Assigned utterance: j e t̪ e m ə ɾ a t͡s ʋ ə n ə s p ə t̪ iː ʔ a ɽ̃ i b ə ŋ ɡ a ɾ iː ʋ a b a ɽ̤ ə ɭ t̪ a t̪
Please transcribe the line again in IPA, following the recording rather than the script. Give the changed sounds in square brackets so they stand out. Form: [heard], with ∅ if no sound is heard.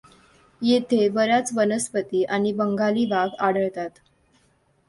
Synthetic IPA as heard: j e [t̪ʰ] e [b] ə ɾ a t͡s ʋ ə n ə s p ə t̪ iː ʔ a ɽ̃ i b ə ŋ ɡ a [l] iː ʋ a [ɡ] a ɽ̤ ə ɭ t̪ a t̪